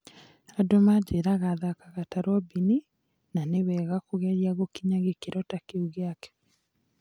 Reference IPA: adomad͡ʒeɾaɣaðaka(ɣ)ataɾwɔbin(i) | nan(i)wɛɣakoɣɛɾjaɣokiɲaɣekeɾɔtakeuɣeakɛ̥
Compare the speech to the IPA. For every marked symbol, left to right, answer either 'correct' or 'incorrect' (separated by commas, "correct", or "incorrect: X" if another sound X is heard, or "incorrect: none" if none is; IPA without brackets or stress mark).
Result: correct, correct, incorrect: e